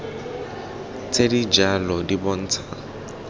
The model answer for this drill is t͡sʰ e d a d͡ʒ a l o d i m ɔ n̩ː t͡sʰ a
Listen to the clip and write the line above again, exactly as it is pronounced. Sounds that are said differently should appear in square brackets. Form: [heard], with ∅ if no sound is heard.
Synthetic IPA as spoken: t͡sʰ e d [i] d͡ʒ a l [ɔ] d i [b] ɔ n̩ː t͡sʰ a